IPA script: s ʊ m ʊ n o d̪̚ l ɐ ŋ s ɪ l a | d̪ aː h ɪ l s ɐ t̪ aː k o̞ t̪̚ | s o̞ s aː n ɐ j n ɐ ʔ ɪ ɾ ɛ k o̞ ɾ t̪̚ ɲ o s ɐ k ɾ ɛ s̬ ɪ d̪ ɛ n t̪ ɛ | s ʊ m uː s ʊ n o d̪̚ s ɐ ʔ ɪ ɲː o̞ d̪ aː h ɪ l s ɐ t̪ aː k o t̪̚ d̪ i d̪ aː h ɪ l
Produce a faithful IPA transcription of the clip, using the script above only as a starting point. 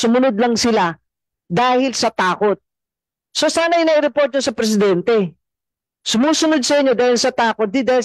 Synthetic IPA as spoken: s ʊ m ʊ n o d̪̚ l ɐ ŋ s ɪ l a | d̪ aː h ɪ l s ɐ t̪ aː k o̞ t̪̚ | s o̞ s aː n ɐ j n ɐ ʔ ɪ ɾ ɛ p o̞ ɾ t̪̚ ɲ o s ɐ p ɾ ɛ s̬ ɪ d̪ ɛ n t̪ ɛ | s ʊ m uː s ʊ n o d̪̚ s ɐ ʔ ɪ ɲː o̞ d̪ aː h ɪ l s ɐ t̪ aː k o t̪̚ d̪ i d̪ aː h ɪ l

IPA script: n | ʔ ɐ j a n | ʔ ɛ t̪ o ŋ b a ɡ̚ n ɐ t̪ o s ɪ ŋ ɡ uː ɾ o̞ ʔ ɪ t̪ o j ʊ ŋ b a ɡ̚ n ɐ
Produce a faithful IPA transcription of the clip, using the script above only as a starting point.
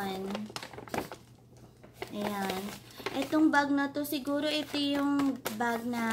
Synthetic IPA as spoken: n | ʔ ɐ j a n | ʔ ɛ t̪ o ŋ b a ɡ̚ n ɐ t̪ o s ɪ ɡ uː ɾ o̞ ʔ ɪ t̪ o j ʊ ŋ b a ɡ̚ n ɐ

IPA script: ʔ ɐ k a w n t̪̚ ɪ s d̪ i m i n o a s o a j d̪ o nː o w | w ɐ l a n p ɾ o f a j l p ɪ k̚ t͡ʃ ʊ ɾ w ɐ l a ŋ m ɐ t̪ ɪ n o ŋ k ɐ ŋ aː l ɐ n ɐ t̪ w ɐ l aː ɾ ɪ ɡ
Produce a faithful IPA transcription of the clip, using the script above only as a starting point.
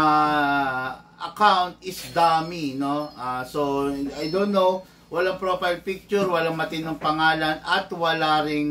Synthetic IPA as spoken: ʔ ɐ k a w n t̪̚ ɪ s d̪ a m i n o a s o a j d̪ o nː o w | w ɐ l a ŋ p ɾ o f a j l p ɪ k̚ t͡ʃ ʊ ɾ w ɐ l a ŋ m ɐ t̪ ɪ n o ŋ p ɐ ŋ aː l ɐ n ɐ t̪ w ɐ l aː ɾ ɪ ŋ

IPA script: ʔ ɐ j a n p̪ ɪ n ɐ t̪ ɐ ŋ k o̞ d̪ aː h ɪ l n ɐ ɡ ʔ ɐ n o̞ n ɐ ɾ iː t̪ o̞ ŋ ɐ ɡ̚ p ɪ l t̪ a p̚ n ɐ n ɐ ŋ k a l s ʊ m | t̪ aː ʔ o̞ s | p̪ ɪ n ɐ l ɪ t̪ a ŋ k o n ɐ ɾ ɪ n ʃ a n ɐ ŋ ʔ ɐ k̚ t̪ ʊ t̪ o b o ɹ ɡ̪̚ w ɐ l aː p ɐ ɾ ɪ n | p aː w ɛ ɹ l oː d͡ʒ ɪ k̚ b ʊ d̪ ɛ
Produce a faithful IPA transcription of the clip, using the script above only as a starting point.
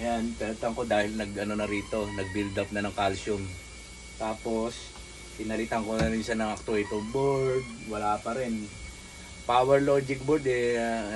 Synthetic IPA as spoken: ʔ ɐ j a n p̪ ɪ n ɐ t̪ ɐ ŋ k o̞ d̪ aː h ɪ l n ɐ ɡ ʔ ɐ n o̞ n ɐ ɾ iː t̪ o̞ n ɐ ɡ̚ b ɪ l d̪ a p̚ n ɐ n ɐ ŋ k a l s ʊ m | t̪ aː p o̞ s | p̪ ɪ n ɐ l ɪ t̪ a ŋ k o n ɐ ɾ ɪ n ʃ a n ɐ ŋ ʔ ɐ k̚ t̪ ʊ t̪ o b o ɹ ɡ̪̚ w ɐ l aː p ɐ ɾ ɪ n | p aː w ɛ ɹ l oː d͡ʒ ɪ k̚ b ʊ d̪ ɛ

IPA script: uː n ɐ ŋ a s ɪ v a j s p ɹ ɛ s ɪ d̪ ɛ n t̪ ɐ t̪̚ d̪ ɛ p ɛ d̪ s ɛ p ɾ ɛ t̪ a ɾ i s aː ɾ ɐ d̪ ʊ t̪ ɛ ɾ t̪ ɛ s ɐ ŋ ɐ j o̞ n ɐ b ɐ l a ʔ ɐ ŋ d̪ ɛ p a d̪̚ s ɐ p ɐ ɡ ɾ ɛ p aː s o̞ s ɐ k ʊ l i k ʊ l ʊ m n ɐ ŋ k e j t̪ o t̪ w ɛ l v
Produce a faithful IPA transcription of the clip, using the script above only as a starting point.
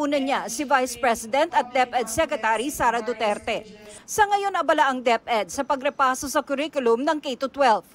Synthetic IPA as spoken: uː n ɐ ɲ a s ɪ v a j s p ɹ ɛ s ɪ d̪ ɛ n t̪ ɐ t̪̚ d̪ ɛ p ɛ d̪ s ɛ k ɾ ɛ t̪ a ɾ i s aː ɾ ɐ d̪ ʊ t̪ ɛ ɾ t̪ ɛ s ɐ ŋ ɐ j o̞ n ɐ b ɐ l a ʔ ɐ ŋ d̪ ɛ p ɛ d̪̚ s ɐ p ɐ ɡ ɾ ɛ p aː s o̞ s ɐ k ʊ ɾ i k ʊ l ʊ m n ɐ ŋ k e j t̪ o t̪ w ɛ l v

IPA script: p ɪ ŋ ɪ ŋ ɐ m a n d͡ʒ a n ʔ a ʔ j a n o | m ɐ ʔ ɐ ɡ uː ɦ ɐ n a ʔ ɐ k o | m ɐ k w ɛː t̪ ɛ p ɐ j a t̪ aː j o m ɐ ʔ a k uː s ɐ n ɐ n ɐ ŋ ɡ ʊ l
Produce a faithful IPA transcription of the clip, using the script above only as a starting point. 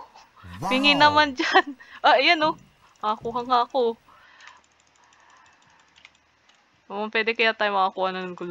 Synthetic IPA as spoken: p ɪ ŋ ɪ n ɐ m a n d͡ʒ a n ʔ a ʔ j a n o | m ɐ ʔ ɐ k uː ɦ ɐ ŋ a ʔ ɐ k o | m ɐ p w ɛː d̪ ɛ k ɐ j a t̪ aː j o m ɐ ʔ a k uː h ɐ n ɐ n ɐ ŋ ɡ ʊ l

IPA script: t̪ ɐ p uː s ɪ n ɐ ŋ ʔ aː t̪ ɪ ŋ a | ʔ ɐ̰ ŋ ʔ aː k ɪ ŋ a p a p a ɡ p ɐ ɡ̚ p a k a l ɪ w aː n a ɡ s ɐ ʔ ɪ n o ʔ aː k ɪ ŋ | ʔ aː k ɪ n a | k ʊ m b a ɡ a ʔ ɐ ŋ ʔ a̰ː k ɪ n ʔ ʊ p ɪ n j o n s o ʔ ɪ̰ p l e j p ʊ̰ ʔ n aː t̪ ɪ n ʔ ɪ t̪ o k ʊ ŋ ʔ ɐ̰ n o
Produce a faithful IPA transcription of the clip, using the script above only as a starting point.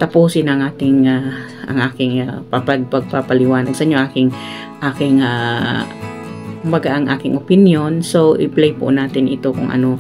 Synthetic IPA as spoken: t̪ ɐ p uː s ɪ n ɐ ŋ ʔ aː t̪ ɪ ŋ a | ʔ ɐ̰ ŋ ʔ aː k ɪ ŋ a p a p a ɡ p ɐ ɡ̚ p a p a l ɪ w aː n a ɡ s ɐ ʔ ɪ ɲ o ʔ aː k ɪ ŋ | ʔ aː k ɪ ŋ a | k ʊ m b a ɡ a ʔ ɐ ŋ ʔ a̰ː k ɪ ŋ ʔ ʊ p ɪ n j o n s o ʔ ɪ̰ p l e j p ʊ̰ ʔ n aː t̪ ɪ n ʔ ɪ t̪ o k ʊ ŋ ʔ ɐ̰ n o

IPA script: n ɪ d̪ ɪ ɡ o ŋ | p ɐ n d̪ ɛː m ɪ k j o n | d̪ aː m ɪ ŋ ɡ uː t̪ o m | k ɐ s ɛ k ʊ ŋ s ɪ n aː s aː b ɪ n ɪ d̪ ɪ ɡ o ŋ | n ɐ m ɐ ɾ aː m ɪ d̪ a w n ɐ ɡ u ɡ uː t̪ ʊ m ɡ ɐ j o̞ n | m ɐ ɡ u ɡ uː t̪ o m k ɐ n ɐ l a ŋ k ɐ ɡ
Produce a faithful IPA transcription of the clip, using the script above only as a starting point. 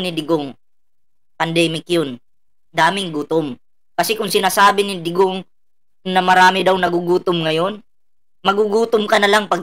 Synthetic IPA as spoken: n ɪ d̪ ɪ ɡ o ŋ | p ɐ n d̪ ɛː m ɪ k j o n | d̪ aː m ɪ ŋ ɡ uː t̪ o m | k ɐ s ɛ k ʊ ŋ s ɪ n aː s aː b ɪ n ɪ d̪ ɪ ɡ o ŋ | n ɐ m ɐ ɾ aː m ɪ d̪ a w n ɐ ɡ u ɡ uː t̪ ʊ m ŋ ɐ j o̞ n | m ɐ ɡ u ɡ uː t̪ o m k ɐ n ɐ l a ŋ p ɐ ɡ

